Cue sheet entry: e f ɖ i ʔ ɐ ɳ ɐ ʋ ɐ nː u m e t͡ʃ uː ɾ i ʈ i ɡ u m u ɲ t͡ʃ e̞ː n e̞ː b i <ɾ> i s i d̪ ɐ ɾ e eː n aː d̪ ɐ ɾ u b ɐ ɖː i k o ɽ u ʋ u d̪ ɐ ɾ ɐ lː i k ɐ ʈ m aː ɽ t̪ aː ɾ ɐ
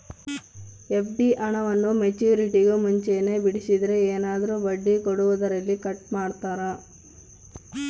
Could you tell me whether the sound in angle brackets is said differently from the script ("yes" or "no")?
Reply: yes